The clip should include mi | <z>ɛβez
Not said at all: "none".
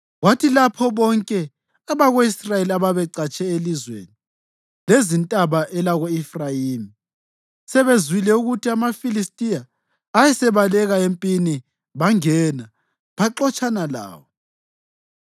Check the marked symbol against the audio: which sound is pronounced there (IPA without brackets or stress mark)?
s